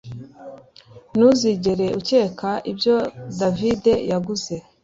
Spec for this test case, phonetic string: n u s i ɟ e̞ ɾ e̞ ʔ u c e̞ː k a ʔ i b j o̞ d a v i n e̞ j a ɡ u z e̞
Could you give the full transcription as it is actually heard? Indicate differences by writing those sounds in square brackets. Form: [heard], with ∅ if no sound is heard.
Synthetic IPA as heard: n u [z] i ɟ e̞ ɾ e̞ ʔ u c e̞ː k a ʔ i b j o̞ d a v i [d] e̞ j a ɡ u z e̞